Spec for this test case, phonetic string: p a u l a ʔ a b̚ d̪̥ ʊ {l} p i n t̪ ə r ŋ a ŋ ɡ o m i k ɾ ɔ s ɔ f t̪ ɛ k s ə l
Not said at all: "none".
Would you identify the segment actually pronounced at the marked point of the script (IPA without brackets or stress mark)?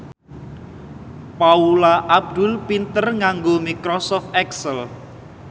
l